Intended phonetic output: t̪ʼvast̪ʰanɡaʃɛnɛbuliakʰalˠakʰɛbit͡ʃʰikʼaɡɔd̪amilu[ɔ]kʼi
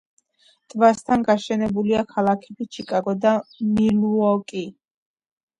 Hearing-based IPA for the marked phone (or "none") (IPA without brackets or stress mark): ɔ